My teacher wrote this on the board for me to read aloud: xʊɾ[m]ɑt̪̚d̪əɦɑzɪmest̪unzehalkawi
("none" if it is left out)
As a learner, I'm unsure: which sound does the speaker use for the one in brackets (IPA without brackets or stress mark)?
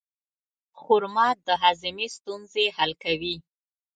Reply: m